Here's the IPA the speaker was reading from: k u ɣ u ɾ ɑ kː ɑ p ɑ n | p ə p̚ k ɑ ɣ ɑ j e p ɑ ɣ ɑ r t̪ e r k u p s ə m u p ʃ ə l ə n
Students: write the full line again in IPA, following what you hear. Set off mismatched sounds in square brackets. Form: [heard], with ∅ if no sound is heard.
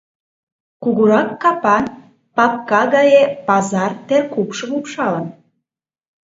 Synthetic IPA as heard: k u ɣ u ɾ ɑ kː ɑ p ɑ n | p [ɑ] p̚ k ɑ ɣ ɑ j e p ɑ [z] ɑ r t̪ e r k u p [ʃ] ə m u p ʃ [ɑ] l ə n